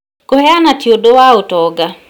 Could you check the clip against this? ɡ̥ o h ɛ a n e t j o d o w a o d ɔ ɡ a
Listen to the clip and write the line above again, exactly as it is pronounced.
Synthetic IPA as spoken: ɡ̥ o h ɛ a n a t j o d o w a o t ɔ ɡ a